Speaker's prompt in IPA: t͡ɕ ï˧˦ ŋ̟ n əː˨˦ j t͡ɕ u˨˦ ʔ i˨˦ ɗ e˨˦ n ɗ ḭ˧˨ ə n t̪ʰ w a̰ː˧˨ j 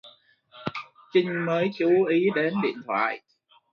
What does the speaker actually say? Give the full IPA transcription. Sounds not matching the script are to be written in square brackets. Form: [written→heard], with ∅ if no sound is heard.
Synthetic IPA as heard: t͡ɕ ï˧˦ ŋ̟ [n→m] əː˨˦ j t͡ɕ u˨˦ ʔ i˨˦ ɗ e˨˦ n ɗ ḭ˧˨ ə n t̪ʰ w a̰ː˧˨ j